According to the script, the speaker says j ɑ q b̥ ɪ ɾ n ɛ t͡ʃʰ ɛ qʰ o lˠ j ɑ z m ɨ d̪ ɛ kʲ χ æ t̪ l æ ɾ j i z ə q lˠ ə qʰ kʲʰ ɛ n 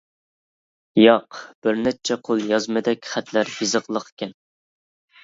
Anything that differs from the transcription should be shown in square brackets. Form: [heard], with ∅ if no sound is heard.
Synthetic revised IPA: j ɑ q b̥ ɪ ɾ n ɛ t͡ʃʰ ɛ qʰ o lˠ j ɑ z m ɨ d̪ ɛ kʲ χ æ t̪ l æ ɾ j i z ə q lˠ ə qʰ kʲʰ ɛ n